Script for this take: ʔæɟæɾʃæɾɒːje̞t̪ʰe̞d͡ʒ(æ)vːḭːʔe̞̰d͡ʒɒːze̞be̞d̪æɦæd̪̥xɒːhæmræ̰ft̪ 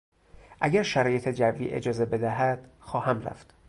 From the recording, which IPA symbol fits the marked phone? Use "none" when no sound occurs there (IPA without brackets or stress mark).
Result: æ